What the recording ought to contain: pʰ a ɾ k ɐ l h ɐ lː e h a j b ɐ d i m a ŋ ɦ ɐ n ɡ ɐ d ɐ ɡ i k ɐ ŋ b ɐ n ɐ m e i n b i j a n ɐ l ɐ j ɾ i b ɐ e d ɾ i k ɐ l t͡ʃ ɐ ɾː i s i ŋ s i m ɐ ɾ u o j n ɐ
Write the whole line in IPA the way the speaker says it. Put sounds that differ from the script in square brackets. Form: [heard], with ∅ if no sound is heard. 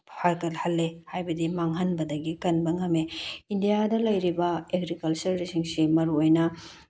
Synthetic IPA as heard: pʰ a ɾ k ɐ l h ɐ lː e h a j b ɐ d i m a ŋ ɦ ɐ n [b] ɐ d ɐ ɡ i k ɐ [n] b ɐ [ŋ] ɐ m e i n [d] i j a [d] ɐ l ɐ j ɾ i b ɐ e [ɡ] ɾ i k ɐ l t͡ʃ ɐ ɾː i s i ŋ s i m ɐ ɾ u o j n ɐ